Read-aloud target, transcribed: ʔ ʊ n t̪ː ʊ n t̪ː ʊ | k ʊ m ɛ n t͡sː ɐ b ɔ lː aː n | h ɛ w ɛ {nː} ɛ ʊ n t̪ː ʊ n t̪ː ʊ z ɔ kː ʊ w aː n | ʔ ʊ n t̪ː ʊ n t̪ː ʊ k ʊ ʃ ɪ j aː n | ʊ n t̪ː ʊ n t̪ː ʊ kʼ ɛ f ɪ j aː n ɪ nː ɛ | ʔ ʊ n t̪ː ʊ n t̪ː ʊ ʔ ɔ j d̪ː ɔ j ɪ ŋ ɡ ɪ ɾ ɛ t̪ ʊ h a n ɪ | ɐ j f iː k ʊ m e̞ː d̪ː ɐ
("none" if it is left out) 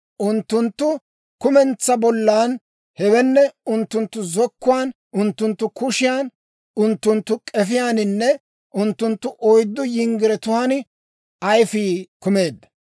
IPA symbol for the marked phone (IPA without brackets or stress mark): nː